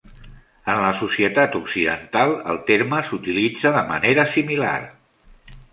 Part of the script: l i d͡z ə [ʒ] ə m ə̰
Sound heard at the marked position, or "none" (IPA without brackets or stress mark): ð